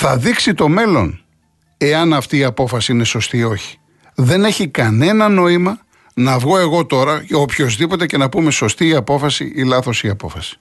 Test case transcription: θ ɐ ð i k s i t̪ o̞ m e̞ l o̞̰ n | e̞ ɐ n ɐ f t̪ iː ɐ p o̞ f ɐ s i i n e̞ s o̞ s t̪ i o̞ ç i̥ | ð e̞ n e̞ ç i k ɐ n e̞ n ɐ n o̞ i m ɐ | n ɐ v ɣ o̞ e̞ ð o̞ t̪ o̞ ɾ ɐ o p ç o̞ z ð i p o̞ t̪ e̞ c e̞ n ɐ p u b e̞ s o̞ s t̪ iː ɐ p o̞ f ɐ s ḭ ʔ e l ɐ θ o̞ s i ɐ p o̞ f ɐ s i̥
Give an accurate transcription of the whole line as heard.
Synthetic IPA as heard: θ ɐ ð i k s i t̪ o̞ m e̞ l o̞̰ n | e̞ ɐ n ɐ f t̪ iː ɐ p o̞ f ɐ s i i n e̞ s o̞ s t̪ i o̞ ç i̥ | ð e̞ n e̞ ç i k ɐ n e̞ n ɐ n o̞ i m ɐ | n ɐ v ɣ o̞ e̞ ɣ o̞ t̪ o̞ ɾ ɐ o p ç o̞ z ð i p o̞ t̪ e̞ c e̞ n ɐ p u m e̞ s o̞ s t̪ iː ɐ p o̞ f ɐ s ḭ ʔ i l ɐ θ o̞ s i ɐ p o̞ f ɐ s i̥